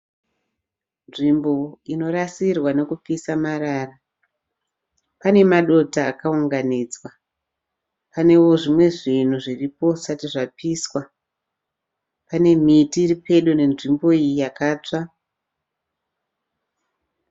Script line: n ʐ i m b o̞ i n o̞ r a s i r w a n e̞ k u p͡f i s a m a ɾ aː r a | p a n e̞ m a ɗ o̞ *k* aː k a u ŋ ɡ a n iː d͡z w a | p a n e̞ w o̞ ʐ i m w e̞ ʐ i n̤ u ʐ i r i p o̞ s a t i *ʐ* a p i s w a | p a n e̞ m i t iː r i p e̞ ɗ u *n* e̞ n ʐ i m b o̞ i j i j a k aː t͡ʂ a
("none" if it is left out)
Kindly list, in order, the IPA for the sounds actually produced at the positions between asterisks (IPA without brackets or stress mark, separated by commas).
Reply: t, ʐ, n